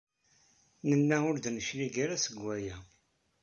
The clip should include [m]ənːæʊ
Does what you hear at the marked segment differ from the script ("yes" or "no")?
yes